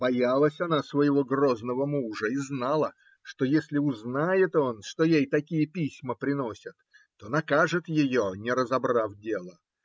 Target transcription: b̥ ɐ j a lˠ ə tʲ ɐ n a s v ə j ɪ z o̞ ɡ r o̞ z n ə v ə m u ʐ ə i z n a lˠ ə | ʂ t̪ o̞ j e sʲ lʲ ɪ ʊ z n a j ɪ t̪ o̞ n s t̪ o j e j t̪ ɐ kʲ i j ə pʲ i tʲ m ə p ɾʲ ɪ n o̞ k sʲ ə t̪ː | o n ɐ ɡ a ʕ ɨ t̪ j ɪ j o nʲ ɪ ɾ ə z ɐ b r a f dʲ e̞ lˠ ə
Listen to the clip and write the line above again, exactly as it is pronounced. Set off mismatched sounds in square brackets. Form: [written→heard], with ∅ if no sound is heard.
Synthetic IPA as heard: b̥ ɐ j a lˠ ə [tʲ→sʲ] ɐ n a s v ə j ɪ [z→v] o̞ ɡ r o̞ z n ə v ə m u ʐ ə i z n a lˠ ə | ʂ t̪ o̞ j e sʲ lʲ ɪ ʊ z n a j ɪ t̪ o̞ n [s→ʂ] t̪ o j e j t̪ ɐ kʲ i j ə pʲ i [tʲ→sʲ] m ə p ɾʲ ɪ n o̞ [k→∅] sʲ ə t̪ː | o n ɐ [ɡ→k] a [ʕ→ʐ] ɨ t̪ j ɪ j o nʲ ɪ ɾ ə z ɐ b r a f dʲ e̞ lˠ ə